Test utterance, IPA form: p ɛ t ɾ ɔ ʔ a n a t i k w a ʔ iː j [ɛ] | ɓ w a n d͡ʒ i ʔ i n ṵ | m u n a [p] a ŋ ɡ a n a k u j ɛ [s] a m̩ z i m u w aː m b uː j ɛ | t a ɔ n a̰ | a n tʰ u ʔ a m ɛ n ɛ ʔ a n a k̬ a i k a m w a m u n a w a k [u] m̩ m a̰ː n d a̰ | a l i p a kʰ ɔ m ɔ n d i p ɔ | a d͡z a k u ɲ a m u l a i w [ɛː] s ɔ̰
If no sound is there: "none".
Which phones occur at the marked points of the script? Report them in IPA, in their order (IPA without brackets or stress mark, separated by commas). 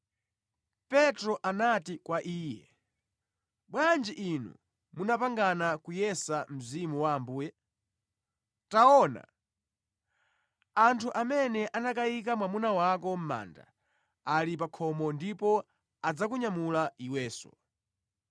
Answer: ɛ, p, s, ɔ, ɛː